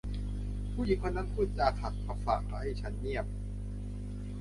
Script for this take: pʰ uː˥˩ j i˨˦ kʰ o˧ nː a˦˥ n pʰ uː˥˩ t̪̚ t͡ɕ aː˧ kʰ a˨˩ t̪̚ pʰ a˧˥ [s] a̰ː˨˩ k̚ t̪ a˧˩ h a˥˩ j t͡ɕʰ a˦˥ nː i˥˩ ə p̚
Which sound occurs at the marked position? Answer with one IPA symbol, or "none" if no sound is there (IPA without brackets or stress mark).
f